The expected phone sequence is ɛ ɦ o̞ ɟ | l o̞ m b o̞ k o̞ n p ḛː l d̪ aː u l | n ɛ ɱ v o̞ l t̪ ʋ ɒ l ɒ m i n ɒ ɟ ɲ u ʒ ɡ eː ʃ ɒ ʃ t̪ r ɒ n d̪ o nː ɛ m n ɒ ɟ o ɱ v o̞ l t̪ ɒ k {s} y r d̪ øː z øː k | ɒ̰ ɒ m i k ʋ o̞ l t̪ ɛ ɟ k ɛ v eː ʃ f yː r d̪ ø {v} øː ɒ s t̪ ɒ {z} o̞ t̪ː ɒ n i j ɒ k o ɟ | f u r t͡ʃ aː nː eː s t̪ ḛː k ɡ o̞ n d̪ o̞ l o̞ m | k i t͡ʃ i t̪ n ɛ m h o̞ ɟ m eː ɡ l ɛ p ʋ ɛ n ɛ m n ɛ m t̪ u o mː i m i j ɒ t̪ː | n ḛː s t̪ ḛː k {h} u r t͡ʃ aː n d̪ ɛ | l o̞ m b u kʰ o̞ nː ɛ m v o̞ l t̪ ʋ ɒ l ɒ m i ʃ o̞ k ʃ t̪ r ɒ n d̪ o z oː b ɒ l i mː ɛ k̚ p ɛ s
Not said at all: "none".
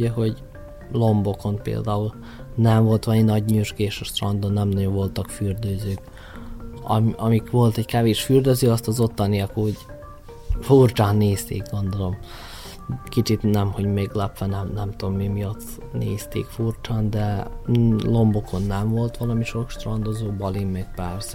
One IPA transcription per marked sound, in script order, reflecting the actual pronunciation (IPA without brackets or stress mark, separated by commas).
f, z, z, f